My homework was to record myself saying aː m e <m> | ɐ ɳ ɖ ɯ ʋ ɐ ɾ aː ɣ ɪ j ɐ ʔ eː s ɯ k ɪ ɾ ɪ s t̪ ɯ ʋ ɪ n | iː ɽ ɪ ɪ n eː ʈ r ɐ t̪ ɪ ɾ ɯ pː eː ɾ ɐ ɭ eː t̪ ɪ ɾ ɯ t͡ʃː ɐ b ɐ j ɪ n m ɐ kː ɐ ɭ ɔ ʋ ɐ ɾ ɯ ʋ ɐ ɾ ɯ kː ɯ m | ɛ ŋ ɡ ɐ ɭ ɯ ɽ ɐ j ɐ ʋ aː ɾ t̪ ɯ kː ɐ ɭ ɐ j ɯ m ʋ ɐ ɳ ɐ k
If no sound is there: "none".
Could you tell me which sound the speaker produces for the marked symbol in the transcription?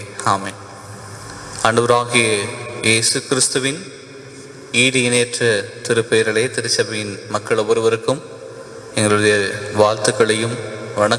n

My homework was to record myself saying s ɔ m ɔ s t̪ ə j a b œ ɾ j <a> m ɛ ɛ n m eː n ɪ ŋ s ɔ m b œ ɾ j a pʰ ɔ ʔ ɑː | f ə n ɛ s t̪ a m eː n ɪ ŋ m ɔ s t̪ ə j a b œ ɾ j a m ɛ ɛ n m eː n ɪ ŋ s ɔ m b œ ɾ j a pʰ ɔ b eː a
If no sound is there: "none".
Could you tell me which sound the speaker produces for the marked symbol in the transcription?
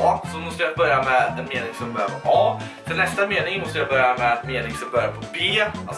a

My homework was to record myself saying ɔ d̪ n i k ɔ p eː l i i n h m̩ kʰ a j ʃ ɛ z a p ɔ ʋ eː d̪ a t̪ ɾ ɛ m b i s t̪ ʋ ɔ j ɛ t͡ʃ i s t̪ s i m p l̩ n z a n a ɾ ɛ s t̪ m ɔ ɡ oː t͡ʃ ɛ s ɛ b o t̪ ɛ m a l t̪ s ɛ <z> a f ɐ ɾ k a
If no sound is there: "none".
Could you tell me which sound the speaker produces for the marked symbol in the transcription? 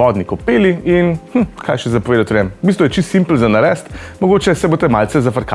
z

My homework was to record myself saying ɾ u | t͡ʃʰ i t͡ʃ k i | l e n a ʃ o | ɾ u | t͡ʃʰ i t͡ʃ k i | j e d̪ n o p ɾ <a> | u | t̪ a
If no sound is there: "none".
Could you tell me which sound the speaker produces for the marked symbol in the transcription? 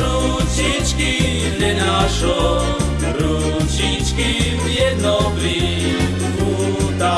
i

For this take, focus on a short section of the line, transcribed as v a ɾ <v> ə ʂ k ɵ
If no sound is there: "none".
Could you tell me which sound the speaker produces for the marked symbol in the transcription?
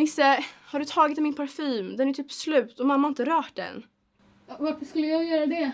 f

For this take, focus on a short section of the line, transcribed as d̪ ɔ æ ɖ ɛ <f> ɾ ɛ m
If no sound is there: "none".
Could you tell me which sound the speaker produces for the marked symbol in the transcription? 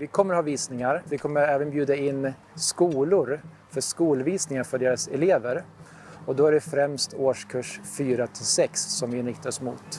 f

